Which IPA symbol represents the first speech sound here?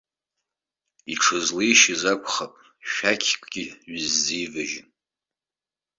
i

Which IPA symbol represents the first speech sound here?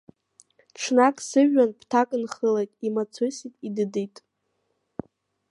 ʈ͡ʂʰ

